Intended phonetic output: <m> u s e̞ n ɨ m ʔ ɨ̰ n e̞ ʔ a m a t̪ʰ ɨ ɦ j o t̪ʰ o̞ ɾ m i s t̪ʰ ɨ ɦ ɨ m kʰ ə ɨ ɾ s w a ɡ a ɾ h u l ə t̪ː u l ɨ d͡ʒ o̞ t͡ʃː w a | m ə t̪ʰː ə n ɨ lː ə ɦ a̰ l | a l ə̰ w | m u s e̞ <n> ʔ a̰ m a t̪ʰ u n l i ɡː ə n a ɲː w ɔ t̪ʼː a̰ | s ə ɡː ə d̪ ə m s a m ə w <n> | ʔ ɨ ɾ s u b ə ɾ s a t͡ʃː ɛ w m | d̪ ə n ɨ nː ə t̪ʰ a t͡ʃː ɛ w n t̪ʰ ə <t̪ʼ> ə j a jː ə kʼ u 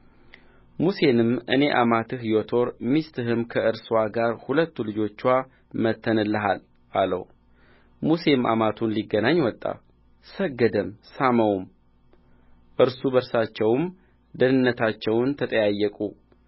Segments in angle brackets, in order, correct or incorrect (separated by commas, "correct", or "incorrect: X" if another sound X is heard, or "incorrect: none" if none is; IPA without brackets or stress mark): correct, incorrect: m, incorrect: m, correct